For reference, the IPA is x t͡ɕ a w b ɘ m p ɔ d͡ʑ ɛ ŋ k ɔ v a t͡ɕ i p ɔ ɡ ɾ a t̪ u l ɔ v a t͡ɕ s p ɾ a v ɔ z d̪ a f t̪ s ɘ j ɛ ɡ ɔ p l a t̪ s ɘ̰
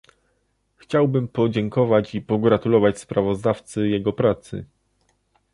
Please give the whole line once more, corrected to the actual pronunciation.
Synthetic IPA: x t͡ɕ a w b ɘ m p ɔ d͡ʑ ɛ ŋ k ɔ v a t͡ɕ i p ɔ ɡ ɾ a t̪ u l ɔ v a t͡ɕ s p ɾ a v ɔ z d̪ a f t̪ s ɘ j ɛ ɡ ɔ p ɾ a t̪ s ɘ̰